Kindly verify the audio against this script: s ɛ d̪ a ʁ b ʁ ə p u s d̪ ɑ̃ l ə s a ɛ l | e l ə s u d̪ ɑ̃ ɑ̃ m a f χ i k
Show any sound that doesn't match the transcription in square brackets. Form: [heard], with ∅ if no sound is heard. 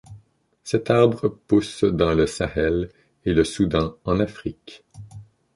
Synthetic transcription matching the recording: s ɛ [t̪] a ʁ b ʁ ə p u s d̪ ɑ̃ l ə s a ɛ l | e l ə s u d̪ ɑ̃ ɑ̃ [n] a f χ i k